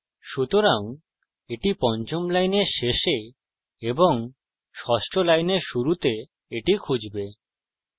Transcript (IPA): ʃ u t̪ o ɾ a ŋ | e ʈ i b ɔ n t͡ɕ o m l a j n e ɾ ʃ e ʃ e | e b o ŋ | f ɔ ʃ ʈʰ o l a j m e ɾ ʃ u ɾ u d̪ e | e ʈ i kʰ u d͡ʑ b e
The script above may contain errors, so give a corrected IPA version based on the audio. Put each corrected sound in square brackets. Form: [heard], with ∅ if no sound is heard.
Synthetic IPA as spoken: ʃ u t̪ o ɾ a ŋ | e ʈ i [p] ɔ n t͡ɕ o m l a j n e ɾ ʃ e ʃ e | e b o ŋ | [ʃ] ɔ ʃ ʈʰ o l a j [n] e ɾ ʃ u ɾ u [t̪] e | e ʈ i kʰ u d͡ʑ b e